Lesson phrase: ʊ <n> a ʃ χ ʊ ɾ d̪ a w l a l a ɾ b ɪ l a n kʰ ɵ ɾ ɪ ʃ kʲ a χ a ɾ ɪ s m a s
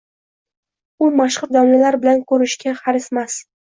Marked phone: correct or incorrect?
incorrect: m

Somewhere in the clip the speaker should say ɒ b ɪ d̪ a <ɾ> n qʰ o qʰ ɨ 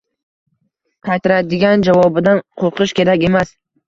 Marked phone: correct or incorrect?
incorrect: none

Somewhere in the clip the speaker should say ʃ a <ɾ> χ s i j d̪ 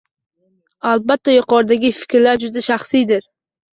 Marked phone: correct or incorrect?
incorrect: none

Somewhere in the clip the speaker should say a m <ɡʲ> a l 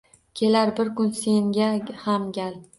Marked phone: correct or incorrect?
correct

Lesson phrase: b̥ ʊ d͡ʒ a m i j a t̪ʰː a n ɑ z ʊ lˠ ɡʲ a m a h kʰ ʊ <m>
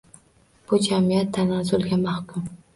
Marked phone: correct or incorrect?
correct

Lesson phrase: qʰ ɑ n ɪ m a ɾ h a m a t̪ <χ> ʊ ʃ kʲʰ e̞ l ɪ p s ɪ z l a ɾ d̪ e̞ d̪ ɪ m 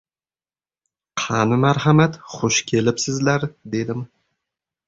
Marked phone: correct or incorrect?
correct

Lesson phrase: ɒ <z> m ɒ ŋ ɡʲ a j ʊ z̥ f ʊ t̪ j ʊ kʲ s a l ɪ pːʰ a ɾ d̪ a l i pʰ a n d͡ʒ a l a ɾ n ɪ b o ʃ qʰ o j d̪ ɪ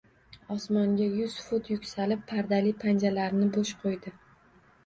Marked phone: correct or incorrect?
incorrect: s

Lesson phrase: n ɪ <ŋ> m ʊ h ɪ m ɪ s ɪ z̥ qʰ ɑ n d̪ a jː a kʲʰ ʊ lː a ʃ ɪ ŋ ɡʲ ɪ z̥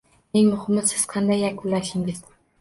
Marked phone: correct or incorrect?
correct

